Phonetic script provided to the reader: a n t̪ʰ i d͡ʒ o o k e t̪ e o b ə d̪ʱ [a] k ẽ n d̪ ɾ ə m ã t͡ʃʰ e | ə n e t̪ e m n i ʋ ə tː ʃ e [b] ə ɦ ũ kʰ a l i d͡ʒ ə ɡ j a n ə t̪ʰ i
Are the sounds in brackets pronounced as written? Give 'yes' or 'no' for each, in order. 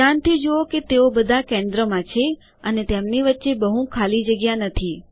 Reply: yes, yes

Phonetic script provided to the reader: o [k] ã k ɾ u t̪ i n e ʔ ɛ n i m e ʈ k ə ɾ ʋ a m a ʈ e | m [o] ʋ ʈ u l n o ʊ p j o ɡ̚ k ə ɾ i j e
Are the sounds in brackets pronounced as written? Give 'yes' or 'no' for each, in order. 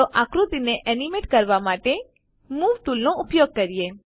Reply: no, no

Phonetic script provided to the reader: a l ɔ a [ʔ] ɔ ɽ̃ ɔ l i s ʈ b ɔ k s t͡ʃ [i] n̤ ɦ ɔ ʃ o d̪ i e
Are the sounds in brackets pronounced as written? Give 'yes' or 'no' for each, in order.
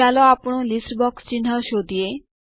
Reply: no, yes

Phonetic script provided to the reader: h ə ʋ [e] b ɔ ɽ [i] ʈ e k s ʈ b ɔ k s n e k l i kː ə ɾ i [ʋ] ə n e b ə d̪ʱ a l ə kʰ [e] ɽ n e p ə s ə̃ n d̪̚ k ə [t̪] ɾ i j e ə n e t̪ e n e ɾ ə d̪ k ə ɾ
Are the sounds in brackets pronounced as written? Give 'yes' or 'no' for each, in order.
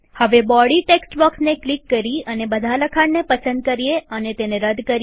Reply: yes, yes, no, no, no

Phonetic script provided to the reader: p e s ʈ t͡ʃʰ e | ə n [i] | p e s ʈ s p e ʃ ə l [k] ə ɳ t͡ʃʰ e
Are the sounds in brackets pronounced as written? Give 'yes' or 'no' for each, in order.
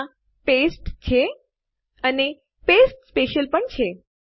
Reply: no, no

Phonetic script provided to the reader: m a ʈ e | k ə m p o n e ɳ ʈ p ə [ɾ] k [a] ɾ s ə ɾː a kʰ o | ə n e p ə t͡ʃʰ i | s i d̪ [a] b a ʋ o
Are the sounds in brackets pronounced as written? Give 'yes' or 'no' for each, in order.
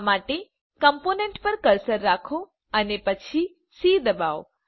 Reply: yes, no, no

